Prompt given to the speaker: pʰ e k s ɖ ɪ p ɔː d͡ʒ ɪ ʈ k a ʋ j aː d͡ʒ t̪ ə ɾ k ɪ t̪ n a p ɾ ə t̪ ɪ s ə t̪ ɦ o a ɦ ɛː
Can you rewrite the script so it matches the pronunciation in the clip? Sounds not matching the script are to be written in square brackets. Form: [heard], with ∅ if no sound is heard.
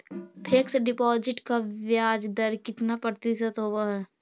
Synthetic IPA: pʰ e k s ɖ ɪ p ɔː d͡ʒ ɪ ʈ k a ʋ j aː d͡ʒ [d̪] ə ɾ k ɪ t̪ n a p ɾ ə t̪ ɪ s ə t̪ ɦ o a ɦ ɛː